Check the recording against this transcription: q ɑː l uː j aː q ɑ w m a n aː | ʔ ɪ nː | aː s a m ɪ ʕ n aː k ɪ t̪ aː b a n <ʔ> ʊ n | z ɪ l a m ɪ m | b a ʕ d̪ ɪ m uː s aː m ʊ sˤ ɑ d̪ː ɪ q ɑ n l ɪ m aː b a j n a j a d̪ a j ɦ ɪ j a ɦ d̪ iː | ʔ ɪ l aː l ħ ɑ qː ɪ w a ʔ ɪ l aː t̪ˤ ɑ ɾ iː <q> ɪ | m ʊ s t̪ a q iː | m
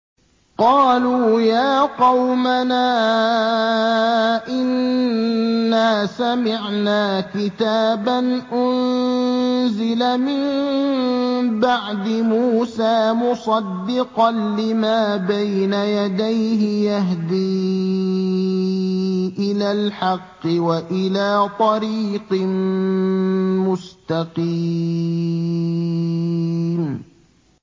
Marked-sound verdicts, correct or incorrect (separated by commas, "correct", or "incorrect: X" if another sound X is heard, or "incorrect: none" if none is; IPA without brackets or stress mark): correct, correct